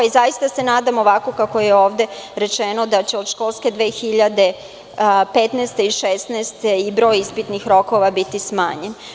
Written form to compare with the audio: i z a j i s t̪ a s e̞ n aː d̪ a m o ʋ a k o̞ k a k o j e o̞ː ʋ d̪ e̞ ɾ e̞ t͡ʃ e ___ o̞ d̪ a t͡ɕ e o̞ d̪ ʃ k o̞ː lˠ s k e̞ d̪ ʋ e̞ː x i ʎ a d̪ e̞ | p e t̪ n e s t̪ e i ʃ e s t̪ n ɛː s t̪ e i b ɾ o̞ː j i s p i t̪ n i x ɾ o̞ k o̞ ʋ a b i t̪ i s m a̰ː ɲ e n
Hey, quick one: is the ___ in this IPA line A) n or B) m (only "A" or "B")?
A